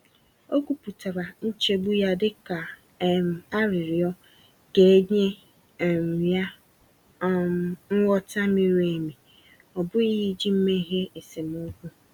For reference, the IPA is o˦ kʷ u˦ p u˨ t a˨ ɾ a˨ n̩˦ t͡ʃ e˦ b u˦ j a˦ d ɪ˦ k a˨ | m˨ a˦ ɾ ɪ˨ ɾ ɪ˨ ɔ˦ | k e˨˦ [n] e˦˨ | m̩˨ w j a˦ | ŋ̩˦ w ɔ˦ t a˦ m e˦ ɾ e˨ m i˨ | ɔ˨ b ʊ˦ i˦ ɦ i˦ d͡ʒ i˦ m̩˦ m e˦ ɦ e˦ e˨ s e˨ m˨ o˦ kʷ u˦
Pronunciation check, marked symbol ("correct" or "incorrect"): incorrect